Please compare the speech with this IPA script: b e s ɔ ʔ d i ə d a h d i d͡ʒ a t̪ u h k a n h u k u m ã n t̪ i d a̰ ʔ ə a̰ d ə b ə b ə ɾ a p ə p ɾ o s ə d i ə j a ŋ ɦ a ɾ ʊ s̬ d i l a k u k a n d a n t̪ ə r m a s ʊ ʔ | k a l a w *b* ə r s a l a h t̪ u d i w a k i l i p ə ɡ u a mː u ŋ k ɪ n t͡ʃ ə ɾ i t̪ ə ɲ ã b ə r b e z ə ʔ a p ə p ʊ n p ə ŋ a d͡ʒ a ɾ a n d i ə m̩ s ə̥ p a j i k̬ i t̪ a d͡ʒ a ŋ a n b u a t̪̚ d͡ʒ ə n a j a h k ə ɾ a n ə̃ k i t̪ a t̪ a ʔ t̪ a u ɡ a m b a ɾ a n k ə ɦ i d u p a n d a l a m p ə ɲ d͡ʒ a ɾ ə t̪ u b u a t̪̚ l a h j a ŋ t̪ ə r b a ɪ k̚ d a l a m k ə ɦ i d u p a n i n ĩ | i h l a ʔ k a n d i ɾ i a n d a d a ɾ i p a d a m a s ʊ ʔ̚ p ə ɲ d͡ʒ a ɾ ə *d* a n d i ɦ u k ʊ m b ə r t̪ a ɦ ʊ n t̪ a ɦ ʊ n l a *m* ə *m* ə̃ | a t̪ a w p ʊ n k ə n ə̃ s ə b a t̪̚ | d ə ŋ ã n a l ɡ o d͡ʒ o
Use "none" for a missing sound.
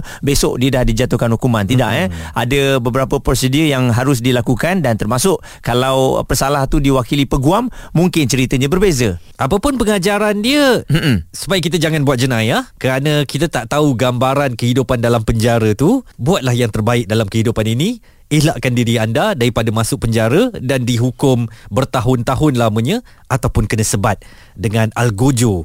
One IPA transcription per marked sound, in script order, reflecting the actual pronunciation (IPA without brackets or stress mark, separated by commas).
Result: p, d, m, ɲ